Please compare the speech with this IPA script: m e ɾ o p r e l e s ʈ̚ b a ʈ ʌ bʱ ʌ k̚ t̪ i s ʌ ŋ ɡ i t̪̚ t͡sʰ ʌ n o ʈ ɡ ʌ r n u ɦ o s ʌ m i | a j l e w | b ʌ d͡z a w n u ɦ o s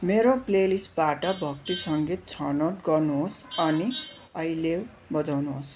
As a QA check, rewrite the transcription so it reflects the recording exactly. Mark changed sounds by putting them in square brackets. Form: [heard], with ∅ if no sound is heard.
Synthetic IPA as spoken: m e ɾ o p [l] e l [i] s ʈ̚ b a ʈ ʌ bʱ ʌ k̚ t̪ i s ʌ ŋ ɡ i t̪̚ t͡sʰ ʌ n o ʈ ɡ ʌ r n u ɦ o s ʌ [n] i | [ʌ] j l e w | b ʌ d͡z a w n u ɦ o s